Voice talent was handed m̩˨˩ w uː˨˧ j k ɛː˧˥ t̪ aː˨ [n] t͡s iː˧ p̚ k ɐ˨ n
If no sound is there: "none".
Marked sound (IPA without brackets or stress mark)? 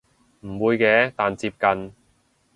n